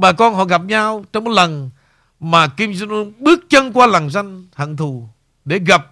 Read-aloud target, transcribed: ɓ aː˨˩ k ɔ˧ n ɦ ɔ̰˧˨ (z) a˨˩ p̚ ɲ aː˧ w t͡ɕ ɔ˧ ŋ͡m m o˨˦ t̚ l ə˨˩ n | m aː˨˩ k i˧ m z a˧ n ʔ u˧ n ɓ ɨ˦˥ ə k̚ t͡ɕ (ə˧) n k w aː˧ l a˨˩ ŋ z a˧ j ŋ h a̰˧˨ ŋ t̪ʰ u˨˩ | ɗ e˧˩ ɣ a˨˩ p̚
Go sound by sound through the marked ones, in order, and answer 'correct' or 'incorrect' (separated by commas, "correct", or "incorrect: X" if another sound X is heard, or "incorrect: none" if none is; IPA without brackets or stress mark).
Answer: incorrect: ɣ, correct